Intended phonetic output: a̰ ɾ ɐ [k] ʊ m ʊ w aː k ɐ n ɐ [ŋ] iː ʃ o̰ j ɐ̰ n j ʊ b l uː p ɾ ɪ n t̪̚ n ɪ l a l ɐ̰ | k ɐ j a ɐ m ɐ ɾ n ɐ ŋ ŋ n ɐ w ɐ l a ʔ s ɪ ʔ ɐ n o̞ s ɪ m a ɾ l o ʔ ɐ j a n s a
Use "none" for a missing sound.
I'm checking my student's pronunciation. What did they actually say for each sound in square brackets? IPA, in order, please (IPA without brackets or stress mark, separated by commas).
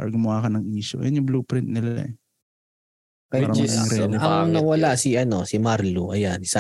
ɡ, ŋ